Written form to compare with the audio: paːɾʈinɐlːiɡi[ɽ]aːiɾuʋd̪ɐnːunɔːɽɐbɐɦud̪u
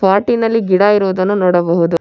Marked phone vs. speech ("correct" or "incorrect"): correct